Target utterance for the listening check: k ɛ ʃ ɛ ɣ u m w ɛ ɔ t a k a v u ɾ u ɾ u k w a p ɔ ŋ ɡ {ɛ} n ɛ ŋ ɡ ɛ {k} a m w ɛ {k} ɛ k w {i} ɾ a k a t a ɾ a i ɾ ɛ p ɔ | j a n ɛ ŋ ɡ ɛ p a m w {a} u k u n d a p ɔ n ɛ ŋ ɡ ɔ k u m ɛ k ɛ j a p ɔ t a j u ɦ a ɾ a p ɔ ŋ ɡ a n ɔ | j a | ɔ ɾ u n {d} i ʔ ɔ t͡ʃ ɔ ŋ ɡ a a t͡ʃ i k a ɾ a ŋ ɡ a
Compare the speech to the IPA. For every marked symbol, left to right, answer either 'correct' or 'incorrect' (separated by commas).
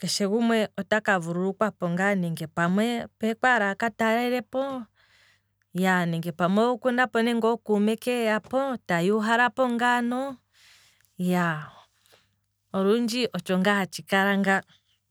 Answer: incorrect, incorrect, incorrect, incorrect, incorrect, incorrect